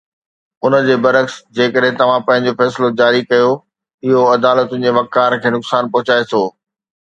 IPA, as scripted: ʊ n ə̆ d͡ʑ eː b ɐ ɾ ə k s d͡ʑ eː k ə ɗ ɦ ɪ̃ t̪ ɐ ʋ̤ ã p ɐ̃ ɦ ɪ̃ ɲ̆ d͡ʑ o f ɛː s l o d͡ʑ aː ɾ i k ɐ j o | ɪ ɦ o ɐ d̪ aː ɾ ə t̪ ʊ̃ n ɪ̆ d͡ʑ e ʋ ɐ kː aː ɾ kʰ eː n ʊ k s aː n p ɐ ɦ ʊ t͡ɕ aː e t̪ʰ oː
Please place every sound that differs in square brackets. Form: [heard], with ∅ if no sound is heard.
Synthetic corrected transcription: ʊ n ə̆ d͡ʑ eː b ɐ ɾ ə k s d͡ʑ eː k ə ɗ ɦ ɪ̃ t̪ ɐ ʋ̤ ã p ɐ̃ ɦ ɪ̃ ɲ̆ d͡ʑ o f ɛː s l o d͡ʑ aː ɾ i k ɐ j o | ɪ ɦ o ɐ d̪ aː [l] ə t̪ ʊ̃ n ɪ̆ d͡ʑ e ʋ ɐ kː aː ɾ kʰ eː n ʊ k s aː n p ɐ ɦ ʊ t͡ɕ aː e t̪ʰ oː